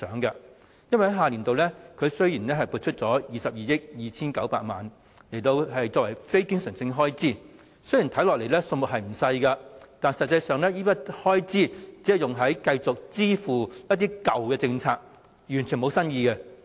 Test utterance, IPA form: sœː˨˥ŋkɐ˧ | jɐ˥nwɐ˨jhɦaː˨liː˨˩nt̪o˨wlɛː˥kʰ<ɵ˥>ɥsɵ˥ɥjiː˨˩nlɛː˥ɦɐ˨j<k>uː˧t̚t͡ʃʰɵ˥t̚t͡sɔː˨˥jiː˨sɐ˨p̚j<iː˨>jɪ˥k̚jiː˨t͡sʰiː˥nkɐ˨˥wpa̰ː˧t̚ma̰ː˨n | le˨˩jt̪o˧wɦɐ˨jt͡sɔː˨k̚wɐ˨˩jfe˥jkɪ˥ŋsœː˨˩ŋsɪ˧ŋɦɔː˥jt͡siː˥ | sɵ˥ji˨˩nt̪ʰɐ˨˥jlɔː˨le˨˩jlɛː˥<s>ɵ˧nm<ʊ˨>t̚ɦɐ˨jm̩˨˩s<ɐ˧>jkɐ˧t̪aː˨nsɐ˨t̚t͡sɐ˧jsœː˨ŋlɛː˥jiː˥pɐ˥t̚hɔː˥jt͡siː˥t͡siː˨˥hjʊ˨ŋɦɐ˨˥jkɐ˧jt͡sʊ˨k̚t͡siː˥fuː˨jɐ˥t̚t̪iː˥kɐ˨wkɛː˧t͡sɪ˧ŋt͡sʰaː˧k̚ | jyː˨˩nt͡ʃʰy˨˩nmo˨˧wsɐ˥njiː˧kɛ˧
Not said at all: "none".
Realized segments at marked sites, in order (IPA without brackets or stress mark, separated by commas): ɵ˨˧, p, iː˨, s, ʊ˨, ɐ˧